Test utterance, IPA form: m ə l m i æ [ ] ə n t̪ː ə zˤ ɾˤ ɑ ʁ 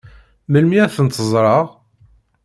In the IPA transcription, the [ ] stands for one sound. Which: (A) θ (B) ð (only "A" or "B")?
A